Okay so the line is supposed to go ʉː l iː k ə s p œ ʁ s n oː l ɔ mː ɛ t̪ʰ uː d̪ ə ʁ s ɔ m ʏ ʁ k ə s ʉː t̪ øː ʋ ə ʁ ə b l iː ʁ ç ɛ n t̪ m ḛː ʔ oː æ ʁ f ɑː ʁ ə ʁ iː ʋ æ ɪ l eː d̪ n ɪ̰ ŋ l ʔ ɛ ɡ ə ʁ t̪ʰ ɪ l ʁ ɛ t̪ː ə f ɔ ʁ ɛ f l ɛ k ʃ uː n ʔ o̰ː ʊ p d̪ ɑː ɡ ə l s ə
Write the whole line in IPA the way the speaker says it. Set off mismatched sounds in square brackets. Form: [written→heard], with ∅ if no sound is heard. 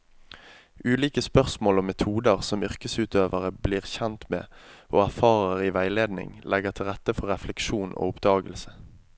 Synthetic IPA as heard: ʉː l iː k ə s p œ ʁ s [n→m] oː l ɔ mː ɛ t̪ʰ uː d̪ ə ʁ s ɔ m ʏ ʁ k ə s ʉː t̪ øː ʋ ə ʁ ə b l iː ʁ ç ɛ n t̪ m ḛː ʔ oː æ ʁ f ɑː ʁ ə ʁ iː ʋ æ ɪ l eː d̪ n ɪ̰ ŋ l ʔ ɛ ɡ ə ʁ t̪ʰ ɪ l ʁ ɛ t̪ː ə f ɔ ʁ ɛ f l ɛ k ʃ uː n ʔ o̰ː ʊ p d̪ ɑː ɡ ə l s ə